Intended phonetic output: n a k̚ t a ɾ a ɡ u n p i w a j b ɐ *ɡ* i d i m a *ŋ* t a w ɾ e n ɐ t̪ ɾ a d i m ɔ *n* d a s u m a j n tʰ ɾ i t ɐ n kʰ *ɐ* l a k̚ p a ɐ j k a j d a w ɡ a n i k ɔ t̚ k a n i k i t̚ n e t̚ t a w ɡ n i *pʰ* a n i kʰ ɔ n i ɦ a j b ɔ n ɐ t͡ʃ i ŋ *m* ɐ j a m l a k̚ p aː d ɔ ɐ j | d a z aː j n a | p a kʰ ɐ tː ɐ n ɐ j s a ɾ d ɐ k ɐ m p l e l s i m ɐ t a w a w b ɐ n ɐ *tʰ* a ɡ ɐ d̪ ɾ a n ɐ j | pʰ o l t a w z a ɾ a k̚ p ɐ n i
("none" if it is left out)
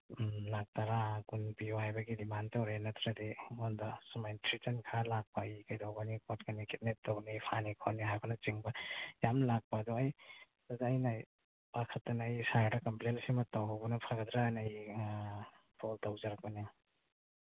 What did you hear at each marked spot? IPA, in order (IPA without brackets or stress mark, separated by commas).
ɡ, n, n, a, pʰ, b, pʰ